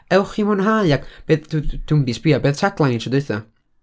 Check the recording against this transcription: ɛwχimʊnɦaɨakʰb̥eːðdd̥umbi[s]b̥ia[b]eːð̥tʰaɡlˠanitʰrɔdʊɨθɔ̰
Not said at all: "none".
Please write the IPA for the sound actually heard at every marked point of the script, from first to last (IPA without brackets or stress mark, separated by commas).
s, b